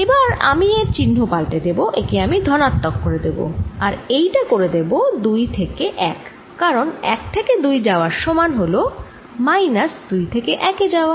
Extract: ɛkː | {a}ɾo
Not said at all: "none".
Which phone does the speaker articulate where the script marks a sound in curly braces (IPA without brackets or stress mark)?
a